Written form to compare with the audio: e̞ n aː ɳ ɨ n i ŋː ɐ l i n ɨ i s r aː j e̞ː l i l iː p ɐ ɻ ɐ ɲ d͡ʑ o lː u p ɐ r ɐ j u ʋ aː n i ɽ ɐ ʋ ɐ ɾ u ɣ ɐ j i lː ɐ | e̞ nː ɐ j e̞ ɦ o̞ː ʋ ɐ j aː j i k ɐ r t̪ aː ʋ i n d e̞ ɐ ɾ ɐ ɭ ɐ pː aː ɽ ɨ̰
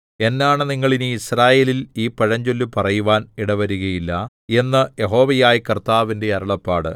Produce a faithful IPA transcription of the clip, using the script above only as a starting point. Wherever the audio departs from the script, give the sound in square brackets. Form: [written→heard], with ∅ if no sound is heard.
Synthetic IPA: e̞ [n→nː] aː ɳ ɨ n i ŋː ɐ [l→ɭ] i n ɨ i s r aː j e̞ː l i l iː p ɐ ɻ ɐ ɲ d͡ʑ o lː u p ɐ r ɐ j u ʋ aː n i ɽ ɐ ʋ ɐ ɾ u ɣ ɐ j i lː ɐ | e̞ nː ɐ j e̞ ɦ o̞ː ʋ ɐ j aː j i k ɐ r t̪ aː ʋ i n d e̞ ɐ ɾ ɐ ɭ ɐ pː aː ɽ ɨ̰